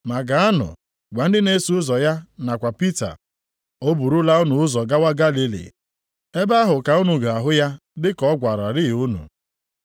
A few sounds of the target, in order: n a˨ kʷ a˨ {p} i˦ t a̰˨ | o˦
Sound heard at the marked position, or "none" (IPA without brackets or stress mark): p